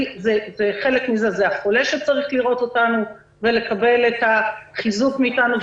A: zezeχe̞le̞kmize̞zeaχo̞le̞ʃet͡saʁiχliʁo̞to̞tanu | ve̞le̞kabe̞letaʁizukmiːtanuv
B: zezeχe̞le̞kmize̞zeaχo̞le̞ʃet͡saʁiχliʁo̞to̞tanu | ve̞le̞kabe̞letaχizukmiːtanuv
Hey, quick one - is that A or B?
B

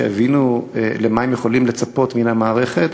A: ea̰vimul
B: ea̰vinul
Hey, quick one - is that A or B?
B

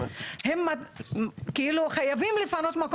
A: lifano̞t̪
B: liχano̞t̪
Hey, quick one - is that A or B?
A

